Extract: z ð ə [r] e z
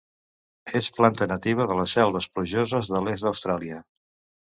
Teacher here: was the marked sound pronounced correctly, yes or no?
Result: no